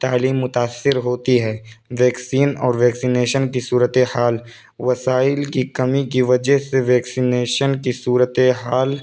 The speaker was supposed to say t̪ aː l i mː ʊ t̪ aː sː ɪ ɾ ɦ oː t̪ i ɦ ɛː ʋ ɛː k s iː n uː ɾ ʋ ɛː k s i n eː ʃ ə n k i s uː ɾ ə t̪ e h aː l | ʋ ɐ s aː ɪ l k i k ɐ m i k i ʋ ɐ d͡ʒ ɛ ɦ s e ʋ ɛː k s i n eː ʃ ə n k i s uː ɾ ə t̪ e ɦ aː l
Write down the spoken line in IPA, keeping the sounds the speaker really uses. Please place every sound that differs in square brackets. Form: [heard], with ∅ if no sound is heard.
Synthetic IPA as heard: t̪ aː l [iː] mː ʊ t̪ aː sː ɪ ɾ ɦ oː t̪ i ɦ ɛː ʋ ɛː k s iː n [ɔː] ɾ ʋ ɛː k s i n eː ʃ ə n k i s uː ɾ ə t̪ e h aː l | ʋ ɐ s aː ɪ l k i k ɐ m i k i ʋ ɐ d͡ʒ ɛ ɦ s e ʋ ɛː k s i n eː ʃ ə n k i s uː ɾ ə t̪ e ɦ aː l

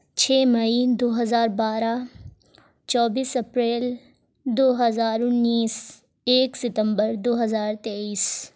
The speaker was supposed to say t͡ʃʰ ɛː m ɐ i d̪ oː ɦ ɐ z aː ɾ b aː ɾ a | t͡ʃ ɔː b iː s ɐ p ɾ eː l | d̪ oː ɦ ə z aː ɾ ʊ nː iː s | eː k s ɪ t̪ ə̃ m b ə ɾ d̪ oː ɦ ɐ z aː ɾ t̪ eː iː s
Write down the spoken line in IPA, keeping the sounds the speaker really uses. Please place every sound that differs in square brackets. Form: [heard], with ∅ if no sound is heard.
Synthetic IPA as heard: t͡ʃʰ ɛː m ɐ i d̪ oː ɦ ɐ z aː ɾ b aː ɾ a | t͡ʃ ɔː b iː s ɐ p ɾ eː l | d̪ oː ɦ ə z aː ɾ ʊ nː iː s | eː k s ɪ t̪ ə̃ m b ə ɾ d̪ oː ɦ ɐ z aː ɾ t̪ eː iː s

